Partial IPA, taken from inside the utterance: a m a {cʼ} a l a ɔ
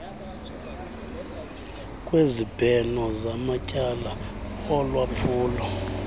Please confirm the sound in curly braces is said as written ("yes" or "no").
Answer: yes